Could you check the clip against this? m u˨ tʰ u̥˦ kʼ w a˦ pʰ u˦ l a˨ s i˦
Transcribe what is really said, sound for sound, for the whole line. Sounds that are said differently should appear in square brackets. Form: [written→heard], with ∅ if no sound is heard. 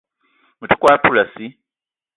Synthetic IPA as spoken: m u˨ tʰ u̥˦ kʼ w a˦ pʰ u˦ l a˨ s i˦